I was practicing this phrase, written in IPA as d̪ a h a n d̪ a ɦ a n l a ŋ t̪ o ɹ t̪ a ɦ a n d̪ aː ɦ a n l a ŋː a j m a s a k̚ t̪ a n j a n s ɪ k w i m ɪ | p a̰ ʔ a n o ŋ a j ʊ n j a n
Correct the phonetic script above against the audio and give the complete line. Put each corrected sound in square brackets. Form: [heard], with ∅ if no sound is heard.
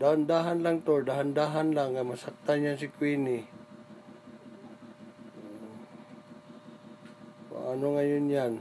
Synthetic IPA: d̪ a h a n d̪ a ɦ a n l a ŋ t̪ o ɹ [d̪] a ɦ a n d̪ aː ɦ a n l a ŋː a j m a s a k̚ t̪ a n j a n s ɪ k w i [n] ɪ | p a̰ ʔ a n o ŋ a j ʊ n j a n

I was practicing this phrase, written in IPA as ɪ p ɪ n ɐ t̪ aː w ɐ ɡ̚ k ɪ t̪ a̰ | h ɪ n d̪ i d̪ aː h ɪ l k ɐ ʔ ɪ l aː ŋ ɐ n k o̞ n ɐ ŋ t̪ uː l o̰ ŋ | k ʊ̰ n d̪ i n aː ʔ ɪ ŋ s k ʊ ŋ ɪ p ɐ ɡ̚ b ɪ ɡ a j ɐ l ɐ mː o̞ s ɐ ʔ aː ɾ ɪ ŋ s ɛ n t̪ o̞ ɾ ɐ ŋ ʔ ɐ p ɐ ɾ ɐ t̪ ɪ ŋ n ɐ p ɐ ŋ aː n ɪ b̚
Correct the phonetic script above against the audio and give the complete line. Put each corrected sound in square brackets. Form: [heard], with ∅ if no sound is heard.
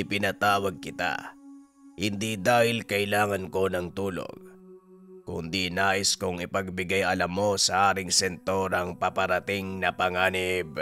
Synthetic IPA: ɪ p ɪ n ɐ t̪ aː w ɐ ɡ̚ k ɪ t̪ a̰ | h ɪ n d̪ i d̪ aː h ɪ l k ɐ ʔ ɪ l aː ŋ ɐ n k o̞ n ɐ ŋ t̪ uː l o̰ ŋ | k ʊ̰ n d̪ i n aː ʔ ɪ [∅] s k ʊ ŋ ɪ p ɐ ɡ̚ b ɪ ɡ a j ɐ l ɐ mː o̞ s ɐ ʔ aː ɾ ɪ ŋ s ɛ n t̪ o̞ ɾ ɐ ŋ [p] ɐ p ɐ ɾ ɐ t̪ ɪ ŋ n ɐ p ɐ ŋ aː n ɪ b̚

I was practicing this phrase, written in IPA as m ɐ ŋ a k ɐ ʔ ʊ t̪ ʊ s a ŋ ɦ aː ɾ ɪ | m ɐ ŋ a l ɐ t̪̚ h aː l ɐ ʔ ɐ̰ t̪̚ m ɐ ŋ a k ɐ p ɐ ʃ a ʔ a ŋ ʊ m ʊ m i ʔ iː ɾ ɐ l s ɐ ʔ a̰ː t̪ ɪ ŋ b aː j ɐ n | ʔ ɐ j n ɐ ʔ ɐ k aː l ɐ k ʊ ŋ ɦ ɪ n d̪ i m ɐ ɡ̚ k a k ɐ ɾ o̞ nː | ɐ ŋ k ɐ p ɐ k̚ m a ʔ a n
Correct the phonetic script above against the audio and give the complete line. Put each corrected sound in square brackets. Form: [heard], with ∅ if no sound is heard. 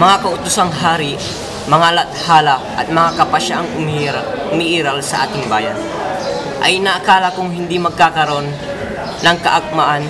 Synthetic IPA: m ɐ ŋ a k ɐ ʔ ʊ t̪ ʊ s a ŋ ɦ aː ɾ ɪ | m ɐ ŋ a l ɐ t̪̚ h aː l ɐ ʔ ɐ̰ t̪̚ m ɐ ŋ a k ɐ p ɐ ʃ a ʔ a ŋ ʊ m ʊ m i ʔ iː ɾ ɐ l s ɐ ʔ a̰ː t̪ ɪ ŋ b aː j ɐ n | ʔ ɐ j n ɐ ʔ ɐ k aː l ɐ k ʊ ŋ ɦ ɪ n d̪ i m ɐ ɡ̚ k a k ɐ ɾ o̞ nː | ɐ ŋ k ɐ [ʔ] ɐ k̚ m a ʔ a n

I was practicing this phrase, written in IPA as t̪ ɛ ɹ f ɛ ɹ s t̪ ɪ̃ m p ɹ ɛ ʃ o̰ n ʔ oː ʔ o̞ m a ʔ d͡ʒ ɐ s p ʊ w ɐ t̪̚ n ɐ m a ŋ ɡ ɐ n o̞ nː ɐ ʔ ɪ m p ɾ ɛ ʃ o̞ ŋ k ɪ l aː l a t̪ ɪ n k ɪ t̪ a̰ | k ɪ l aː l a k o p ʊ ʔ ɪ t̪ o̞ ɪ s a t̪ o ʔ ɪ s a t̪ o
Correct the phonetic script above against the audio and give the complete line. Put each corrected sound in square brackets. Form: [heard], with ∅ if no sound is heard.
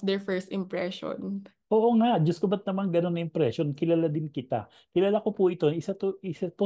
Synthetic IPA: [d̪] ɛ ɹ f ɛ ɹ s t̪ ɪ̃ m p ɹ ɛ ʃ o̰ n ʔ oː ʔ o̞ [ŋ] a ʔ d͡ʒ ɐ s [k] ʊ [b] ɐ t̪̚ n ɐ m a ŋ ɡ ɐ n o̞ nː ɐ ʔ ɪ m p ɾ ɛ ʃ o̞ [n] k ɪ l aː l a [d̪] ɪ n k ɪ t̪ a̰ | k ɪ l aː l a k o p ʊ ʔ ɪ t̪ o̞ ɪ s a t̪ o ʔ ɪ s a t̪ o

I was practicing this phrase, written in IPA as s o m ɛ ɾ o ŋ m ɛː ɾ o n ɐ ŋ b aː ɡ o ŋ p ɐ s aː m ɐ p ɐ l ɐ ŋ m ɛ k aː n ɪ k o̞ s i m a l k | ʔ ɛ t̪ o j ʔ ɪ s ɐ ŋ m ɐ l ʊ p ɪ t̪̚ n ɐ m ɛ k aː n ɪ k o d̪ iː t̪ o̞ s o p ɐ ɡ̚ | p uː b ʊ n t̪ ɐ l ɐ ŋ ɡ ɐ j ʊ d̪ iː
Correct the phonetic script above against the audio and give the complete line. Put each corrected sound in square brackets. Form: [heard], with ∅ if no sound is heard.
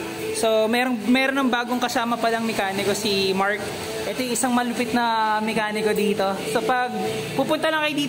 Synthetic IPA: s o m ɛ ɾ o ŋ m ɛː ɾ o n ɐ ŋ b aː ɡ o ŋ [k] ɐ s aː m ɐ p ɐ l ɐ ŋ m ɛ k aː n ɪ k o̞ s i m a [ɹ] k | ʔ ɛ t̪ o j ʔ ɪ s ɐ ŋ m ɐ l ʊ p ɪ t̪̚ n ɐ m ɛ k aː n ɪ k o d̪ iː t̪ o̞ s o p ɐ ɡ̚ | p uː [p] ʊ n t̪ ɐ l ɐ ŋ [k] ɐ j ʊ d̪ iː

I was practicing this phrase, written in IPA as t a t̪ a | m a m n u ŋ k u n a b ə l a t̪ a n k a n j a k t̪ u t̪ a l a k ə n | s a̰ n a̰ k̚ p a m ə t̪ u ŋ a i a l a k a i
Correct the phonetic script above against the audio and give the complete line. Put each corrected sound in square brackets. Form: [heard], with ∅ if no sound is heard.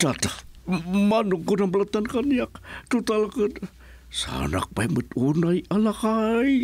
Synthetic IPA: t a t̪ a | m a [∅] n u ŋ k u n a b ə l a t̪ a n k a n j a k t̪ u t̪ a l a k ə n | s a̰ n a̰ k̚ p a m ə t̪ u [n] a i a l a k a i

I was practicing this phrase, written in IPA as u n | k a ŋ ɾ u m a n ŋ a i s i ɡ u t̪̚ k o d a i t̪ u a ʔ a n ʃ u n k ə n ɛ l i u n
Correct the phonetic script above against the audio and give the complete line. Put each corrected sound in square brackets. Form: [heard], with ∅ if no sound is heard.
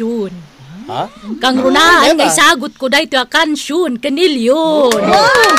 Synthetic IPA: u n | k a ŋ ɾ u [n] a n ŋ a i s [a] ɡ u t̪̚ k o d a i t̪ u a [k] a n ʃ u n k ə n [i] l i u n

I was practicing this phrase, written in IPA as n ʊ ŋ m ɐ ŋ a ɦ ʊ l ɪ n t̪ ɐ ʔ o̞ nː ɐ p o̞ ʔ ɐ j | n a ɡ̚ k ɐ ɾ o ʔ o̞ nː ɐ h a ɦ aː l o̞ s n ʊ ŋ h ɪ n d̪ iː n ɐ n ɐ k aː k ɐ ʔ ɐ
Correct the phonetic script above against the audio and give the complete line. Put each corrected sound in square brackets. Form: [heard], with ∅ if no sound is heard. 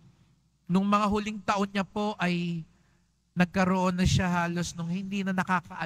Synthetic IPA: n ʊ ŋ m ɐ ŋ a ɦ ʊ l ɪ [ŋ] t̪ ɐ ʔ o̞ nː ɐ p o̞ ʔ ɐ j | n [ɐ] ɡ̚ k ɐ ɾ o ʔ o̞ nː ɐ [ʃ] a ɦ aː l o̞ s n ʊ ŋ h ɪ n d̪ iː n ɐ n ɐ k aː k ɐ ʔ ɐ

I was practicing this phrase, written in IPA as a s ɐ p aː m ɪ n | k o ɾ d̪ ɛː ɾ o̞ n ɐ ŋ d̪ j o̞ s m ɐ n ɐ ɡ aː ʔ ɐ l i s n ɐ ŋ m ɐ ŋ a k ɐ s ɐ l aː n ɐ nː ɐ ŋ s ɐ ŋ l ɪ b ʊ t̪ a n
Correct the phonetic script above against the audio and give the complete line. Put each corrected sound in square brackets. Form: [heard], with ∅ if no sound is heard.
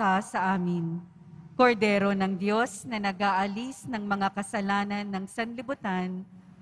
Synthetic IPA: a s ɐ [ʔ] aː m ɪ n | k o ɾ d̪ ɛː ɾ o̞ n ɐ ŋ d̪ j o̞ s [n] ɐ n ɐ ɡ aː ʔ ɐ l i s n ɐ ŋ m ɐ ŋ a k ɐ s ɐ l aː n ɐ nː ɐ ŋ s ɐ [n] l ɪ b ʊ t̪ a n

